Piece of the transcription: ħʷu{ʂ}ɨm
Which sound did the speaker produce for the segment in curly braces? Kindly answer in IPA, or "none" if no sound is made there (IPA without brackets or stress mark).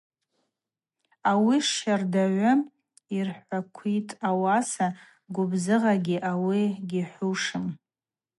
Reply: ʂ